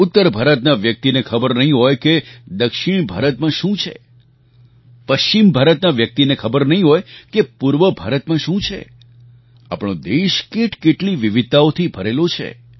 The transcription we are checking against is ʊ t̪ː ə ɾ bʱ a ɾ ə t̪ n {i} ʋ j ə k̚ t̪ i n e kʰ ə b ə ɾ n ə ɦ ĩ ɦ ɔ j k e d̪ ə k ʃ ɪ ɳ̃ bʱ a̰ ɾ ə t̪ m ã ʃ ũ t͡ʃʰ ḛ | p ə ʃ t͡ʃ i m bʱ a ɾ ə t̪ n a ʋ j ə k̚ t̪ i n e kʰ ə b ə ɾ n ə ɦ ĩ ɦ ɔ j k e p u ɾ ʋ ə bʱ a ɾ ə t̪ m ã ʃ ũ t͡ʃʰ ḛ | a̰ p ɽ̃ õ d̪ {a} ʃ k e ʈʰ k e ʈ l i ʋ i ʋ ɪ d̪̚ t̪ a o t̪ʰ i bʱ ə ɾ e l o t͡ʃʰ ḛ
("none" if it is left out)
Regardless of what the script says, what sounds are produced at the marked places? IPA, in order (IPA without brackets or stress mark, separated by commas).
a, e